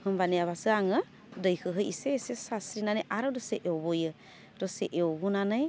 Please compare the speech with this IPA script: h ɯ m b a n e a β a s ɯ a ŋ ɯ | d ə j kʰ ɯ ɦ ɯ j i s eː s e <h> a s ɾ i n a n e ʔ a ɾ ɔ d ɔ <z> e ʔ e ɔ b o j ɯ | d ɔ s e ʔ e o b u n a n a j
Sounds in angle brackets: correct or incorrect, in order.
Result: incorrect: s, incorrect: s

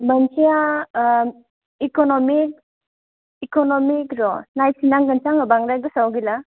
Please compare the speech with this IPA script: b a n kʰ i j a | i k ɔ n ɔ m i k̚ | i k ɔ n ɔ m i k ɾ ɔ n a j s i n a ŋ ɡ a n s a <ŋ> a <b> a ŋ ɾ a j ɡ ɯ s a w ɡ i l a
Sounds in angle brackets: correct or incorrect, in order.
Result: correct, correct

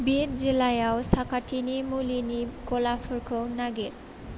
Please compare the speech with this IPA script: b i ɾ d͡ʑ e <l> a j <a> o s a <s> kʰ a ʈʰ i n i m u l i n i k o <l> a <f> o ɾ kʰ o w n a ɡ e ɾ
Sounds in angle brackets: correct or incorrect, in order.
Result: correct, correct, incorrect: none, correct, correct

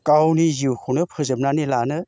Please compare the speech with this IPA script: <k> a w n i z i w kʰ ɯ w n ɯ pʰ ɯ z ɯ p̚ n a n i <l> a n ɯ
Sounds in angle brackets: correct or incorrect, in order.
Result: correct, correct

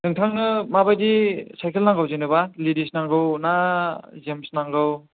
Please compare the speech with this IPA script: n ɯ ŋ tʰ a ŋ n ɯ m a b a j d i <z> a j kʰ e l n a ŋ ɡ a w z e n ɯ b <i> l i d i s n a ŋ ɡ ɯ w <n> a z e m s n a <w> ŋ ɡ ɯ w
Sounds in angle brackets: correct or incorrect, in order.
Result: incorrect: s, incorrect: a, correct, incorrect: none

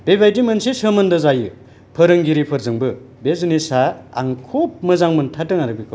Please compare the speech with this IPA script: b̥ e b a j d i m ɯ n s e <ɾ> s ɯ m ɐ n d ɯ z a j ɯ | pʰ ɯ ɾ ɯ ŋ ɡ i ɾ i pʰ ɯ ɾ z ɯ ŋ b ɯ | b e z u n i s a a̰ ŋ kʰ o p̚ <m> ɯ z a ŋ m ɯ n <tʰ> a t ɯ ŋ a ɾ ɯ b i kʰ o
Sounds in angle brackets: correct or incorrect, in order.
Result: incorrect: none, correct, correct

